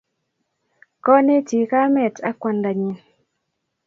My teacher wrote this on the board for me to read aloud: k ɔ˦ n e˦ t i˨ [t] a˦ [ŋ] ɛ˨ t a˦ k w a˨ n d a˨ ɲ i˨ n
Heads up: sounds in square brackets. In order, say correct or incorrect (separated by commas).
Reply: incorrect, incorrect